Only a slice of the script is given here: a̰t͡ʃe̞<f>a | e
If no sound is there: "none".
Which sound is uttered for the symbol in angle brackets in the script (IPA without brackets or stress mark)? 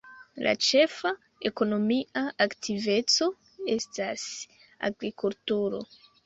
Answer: f